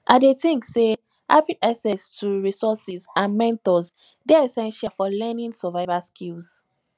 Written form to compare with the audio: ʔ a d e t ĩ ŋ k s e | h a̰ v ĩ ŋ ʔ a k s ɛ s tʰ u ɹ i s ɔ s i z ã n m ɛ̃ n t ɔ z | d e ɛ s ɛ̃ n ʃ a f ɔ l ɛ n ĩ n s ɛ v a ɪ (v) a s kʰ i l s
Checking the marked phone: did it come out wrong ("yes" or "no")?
no